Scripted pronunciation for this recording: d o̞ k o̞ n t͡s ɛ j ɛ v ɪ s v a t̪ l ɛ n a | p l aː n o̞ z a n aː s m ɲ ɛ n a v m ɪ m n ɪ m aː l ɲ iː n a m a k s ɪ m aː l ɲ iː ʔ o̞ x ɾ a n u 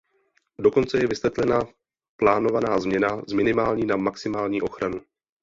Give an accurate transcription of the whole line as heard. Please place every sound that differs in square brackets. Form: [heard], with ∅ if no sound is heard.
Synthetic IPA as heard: d o̞ k o̞ n t͡s ɛ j ɛ v ɪ s v [ɛ] t̪ l ɛ n a | p l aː n o̞ [v] a n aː [z] m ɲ ɛ n a [z] m ɪ [∅] n ɪ m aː l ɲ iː n a m a k s ɪ m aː l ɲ iː ʔ o̞ x ɾ a n u